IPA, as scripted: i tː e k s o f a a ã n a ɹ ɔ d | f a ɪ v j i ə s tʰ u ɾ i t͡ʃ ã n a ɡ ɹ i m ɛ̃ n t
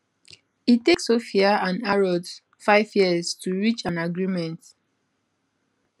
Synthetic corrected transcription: i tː e k s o f i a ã n a ɹ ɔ d | f a ɪ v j i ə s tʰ u ɹ i t͡ʃ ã n a ɡ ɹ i m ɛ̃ n t